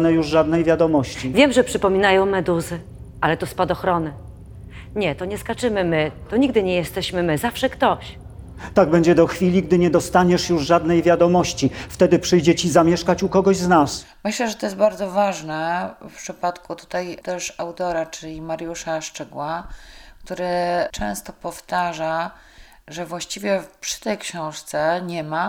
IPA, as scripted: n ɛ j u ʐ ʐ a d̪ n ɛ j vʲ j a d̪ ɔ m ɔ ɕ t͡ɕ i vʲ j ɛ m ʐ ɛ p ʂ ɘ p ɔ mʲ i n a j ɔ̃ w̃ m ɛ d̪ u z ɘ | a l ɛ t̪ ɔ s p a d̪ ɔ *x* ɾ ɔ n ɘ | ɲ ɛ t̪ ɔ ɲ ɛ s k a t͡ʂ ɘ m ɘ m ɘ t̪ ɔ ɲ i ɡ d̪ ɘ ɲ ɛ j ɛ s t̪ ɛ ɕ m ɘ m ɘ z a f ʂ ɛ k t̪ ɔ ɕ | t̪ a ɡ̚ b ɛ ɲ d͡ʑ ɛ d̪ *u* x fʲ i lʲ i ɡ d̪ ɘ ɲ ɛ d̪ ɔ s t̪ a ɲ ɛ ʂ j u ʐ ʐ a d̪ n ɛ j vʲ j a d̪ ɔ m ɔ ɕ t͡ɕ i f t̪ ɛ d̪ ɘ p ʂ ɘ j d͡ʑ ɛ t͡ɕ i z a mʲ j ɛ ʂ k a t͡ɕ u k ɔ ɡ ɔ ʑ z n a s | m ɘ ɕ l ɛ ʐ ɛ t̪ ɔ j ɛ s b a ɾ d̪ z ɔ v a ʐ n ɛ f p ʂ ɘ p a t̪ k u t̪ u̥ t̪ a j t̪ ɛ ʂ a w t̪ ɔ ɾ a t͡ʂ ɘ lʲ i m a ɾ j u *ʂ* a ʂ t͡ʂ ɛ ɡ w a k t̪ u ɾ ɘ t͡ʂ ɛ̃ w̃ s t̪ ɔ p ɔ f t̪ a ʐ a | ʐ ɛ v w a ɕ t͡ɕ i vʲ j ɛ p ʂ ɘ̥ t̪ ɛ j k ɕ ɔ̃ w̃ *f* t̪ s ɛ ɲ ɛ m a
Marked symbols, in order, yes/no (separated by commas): yes, no, yes, no